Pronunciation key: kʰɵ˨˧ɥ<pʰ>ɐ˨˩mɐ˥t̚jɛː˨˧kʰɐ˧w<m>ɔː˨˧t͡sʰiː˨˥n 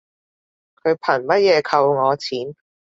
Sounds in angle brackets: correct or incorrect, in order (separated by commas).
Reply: correct, incorrect